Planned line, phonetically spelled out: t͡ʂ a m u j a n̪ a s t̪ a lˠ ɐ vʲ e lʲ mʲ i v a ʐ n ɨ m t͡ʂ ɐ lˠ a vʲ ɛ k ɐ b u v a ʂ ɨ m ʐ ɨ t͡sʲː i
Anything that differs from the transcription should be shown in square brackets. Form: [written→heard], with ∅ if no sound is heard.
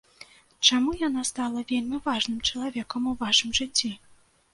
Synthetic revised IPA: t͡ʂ a m u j a n̪ a s t̪ a lˠ ɐ vʲ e lʲ mʲ i v a ʐ n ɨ m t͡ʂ ɐ lˠ a vʲ ɛ k ɐ [b→m] u v a ʂ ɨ m ʐ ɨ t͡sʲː i